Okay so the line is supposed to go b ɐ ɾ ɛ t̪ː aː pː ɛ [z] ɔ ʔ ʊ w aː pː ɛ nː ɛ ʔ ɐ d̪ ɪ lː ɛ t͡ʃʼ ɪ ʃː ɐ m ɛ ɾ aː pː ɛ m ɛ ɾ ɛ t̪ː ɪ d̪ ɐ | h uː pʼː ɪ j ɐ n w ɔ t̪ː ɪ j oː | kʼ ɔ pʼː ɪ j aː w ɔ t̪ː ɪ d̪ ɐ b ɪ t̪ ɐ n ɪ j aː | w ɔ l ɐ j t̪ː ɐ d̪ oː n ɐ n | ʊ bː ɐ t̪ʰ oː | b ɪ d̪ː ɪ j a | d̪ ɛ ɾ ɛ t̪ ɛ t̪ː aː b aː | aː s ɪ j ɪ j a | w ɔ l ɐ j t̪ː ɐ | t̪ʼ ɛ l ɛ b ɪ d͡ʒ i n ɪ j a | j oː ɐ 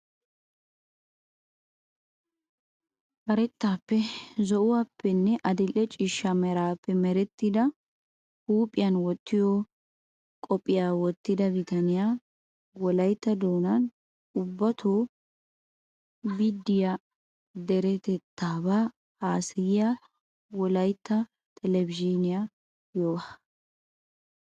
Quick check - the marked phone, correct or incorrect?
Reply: correct